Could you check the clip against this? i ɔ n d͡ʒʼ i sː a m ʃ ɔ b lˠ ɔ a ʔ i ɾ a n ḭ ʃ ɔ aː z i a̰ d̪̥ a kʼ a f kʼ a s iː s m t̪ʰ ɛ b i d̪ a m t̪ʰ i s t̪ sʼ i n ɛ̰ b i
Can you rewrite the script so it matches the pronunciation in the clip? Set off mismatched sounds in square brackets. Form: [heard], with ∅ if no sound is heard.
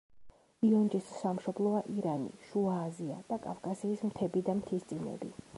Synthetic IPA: i ɔ n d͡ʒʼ i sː a m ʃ ɔ b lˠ ɔ a ʔ i ɾ a n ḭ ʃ [u] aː z i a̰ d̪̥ a kʼ a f kʼ a s iː s m t̪ʰ ɛ b i d̪ a m t̪ʰ i s t̪ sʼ i n ɛ̰ b i